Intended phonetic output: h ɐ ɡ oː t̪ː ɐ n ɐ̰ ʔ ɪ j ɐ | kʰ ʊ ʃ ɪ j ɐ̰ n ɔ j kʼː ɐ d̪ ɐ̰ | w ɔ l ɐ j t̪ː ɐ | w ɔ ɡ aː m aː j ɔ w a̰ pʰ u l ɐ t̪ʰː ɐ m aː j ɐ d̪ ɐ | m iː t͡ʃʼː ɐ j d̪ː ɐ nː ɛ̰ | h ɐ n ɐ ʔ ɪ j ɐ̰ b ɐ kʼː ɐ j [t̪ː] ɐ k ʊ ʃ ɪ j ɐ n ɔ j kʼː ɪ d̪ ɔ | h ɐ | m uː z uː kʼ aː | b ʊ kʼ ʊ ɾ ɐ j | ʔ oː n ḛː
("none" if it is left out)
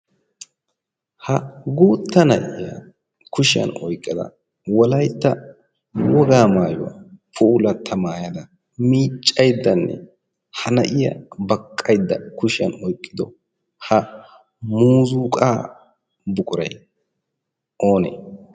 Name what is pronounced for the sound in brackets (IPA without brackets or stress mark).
d̪ː